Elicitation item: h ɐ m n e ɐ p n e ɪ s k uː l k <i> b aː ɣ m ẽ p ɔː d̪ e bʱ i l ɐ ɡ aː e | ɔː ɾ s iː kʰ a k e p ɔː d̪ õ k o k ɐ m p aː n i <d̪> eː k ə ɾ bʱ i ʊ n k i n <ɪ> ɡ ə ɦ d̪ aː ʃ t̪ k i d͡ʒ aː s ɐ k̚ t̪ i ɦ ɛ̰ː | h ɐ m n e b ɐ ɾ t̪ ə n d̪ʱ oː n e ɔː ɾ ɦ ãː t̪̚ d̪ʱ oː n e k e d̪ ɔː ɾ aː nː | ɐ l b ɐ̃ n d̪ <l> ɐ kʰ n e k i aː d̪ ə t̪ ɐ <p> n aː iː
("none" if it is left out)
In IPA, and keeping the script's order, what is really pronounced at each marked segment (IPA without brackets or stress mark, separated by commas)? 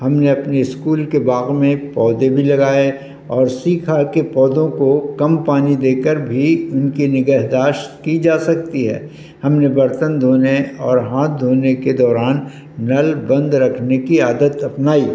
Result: e, d̪, ɪ, ɾ, p